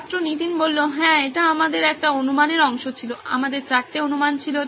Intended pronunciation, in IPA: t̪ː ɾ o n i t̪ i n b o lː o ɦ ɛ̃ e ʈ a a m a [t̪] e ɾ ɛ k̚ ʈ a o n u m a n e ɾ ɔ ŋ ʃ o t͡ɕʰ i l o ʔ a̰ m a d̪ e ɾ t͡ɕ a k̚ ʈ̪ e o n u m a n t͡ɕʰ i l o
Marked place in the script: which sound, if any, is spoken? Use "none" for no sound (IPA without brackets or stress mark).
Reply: d̪